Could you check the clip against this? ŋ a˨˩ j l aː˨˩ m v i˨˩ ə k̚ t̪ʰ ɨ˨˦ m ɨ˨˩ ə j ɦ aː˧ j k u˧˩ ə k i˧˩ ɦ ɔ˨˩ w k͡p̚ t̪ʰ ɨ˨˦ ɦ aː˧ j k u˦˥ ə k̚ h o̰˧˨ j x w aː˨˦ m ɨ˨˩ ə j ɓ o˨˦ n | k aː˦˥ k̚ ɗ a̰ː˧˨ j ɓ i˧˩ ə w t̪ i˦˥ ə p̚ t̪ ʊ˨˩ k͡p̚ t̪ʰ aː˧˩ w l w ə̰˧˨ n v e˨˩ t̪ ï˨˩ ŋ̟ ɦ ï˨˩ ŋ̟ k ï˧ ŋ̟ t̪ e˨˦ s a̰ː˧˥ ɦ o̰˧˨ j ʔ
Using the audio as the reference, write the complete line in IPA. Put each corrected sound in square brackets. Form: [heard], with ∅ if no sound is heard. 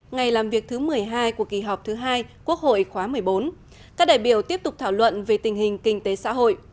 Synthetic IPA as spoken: ŋ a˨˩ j l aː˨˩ m v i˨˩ ə k̚ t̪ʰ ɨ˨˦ m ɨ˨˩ ə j ɦ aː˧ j k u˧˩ ə k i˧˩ ɦ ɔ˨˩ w k͡p̚ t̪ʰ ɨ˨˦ ɦ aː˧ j k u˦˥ ə k̚ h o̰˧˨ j x w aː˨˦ m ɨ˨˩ ə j ɓ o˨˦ n | k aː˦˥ k̚ ɗ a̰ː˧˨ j ɓ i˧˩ ə w t̪ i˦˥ ə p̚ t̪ ʊ˨˩ k͡p̚ t̪ʰ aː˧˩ w l w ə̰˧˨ n v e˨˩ t̪ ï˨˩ ŋ̟ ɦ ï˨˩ ŋ̟ k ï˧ ŋ̟ t̪ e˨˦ s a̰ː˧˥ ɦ o̰˧˨ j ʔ